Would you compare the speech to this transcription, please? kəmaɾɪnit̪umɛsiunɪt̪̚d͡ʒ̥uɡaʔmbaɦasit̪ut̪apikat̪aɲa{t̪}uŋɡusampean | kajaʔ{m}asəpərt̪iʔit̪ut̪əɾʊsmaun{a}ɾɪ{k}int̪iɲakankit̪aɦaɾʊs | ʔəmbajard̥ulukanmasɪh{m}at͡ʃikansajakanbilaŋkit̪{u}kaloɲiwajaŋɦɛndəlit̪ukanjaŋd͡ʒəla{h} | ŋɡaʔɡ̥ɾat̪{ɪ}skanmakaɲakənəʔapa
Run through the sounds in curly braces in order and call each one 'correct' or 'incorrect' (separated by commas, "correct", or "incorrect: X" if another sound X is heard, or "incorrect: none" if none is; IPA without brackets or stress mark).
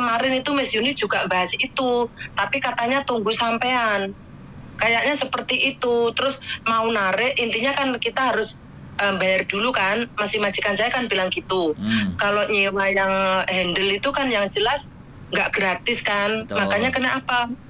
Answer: correct, incorrect: ɲ, correct, incorrect: ʔ, correct, correct, incorrect: s, correct